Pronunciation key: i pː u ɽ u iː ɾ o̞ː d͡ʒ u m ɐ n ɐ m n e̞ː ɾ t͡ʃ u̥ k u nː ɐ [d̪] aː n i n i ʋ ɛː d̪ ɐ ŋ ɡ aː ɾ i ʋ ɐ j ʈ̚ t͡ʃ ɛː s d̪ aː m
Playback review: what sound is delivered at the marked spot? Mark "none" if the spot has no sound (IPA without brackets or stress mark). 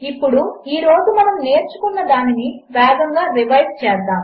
d̪